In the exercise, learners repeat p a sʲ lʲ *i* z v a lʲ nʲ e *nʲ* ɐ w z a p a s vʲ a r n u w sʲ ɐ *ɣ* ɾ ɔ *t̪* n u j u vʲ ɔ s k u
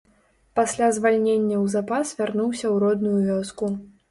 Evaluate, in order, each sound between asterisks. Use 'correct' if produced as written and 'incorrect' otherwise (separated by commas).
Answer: incorrect, incorrect, incorrect, incorrect